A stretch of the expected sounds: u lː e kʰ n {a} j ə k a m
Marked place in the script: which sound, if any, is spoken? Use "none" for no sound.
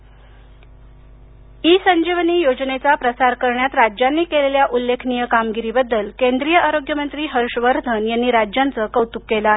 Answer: i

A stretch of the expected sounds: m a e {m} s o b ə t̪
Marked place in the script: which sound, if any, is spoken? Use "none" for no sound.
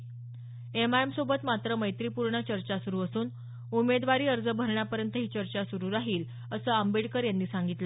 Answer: m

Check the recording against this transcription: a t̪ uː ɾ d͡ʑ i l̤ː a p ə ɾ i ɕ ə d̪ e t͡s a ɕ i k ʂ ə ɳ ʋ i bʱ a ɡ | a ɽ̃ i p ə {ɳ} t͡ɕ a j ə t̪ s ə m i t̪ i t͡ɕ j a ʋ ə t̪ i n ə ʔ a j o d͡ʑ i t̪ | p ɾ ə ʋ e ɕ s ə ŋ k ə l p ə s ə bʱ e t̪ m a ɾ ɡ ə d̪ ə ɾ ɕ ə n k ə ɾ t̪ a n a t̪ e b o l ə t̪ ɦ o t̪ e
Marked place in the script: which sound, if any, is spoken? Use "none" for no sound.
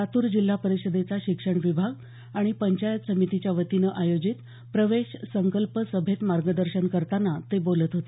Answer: ɲ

